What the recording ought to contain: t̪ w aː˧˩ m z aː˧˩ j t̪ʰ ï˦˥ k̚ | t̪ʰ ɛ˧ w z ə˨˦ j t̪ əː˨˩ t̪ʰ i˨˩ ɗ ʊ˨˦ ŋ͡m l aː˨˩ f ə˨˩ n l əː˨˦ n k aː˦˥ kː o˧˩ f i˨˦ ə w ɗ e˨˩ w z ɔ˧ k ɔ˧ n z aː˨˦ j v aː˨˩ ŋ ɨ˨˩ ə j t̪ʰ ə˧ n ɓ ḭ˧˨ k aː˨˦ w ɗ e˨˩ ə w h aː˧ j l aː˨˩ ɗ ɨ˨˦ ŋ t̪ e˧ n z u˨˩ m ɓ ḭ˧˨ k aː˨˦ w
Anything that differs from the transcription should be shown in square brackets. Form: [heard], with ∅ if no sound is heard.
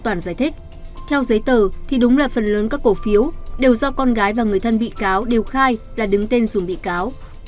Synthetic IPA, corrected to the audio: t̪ w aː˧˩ [n] z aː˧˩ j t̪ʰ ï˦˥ k̚ | t̪ʰ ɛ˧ w z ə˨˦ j t̪ əː˨˩ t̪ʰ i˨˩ ɗ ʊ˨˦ ŋ͡m l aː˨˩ f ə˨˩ n l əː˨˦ n k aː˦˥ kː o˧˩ f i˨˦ ə w ɗ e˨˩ w z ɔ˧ k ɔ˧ n [ɣ] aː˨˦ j v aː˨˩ ŋ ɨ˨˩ ə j t̪ʰ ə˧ n ɓ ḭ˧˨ k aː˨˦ w ɗ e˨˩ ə w [x] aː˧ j l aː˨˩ ɗ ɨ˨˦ ŋ t̪ e˧ n z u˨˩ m ɓ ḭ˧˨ k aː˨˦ w